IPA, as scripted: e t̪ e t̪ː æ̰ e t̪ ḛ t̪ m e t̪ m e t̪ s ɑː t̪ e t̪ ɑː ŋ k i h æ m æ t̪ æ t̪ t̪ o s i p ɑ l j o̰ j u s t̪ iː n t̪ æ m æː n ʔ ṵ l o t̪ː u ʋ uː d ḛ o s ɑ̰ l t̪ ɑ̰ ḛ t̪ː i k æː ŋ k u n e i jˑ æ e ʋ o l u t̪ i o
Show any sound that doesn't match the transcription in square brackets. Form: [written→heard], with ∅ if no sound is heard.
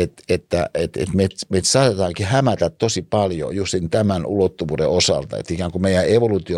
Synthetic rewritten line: e t̪ e t̪ː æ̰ e t̪ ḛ t̪ m e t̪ m e t̪ s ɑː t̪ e t̪ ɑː ŋ k i h æ m æ t̪ æ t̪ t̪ o s i p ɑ l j o̰ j u s t̪ [iː→i] n t̪ æ m [æː→æ] n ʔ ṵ l o t̪ː u ʋ uː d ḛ o s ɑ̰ l t̪ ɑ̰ ḛ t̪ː i k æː ŋ k u [n→m] e i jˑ æ e ʋ o l u t̪ i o